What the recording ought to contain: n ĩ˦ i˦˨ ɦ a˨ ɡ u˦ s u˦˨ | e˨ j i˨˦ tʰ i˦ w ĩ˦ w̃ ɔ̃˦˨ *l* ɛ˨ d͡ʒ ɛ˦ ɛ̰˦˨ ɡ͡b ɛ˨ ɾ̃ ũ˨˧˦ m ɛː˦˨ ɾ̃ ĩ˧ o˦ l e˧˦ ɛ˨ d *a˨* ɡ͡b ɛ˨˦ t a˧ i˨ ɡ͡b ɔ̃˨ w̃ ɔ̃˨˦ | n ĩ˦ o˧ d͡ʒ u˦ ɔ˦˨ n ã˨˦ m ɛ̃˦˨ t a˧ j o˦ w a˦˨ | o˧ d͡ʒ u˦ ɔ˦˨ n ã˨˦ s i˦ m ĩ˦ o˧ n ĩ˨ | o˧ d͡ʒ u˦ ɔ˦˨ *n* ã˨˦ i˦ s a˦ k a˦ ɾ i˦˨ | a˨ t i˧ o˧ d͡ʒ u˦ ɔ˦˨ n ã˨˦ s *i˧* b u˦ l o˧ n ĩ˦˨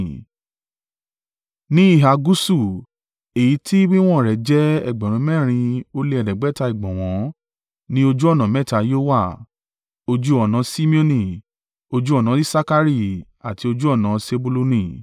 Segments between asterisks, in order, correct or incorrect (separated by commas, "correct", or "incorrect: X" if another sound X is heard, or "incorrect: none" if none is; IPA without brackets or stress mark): incorrect: ɾ, incorrect: ɛ˨, correct, incorrect: e˧